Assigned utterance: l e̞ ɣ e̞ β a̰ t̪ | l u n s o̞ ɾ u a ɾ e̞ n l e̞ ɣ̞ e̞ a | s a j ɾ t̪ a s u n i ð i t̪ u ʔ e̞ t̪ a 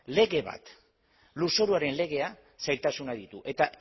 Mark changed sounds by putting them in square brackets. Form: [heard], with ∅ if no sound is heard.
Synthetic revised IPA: l e̞ ɣ e̞ β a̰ t̪ | l u [∅] s o̞ ɾ u a ɾ e̞ n l e̞ ɣ̞ e̞ a | s a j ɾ t̪ a s u n [a] ð i t̪ u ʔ e̞ t̪ a